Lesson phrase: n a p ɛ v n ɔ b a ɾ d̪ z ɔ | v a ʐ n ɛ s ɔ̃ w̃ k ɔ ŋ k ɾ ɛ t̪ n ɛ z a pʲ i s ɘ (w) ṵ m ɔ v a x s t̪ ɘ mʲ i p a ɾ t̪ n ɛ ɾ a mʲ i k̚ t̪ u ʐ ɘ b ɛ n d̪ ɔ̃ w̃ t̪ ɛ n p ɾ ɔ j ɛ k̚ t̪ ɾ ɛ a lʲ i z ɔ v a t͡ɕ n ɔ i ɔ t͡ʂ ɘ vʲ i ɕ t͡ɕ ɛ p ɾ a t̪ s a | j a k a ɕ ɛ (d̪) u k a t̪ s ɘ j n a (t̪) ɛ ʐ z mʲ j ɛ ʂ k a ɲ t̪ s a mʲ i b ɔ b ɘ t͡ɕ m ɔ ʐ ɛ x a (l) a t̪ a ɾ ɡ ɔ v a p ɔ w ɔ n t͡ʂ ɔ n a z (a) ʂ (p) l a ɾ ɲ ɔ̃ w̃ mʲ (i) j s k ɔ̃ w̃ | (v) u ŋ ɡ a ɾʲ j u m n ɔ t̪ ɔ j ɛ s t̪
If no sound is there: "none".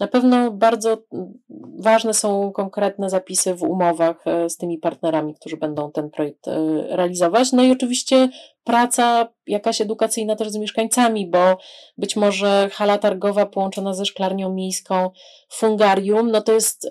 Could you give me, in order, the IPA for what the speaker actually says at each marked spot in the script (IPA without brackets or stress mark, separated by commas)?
v, d̪, t̪, l, ɛ, k, e, f